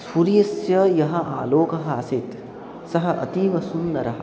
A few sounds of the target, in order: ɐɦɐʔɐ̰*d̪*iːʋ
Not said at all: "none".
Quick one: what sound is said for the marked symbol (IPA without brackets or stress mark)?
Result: t̪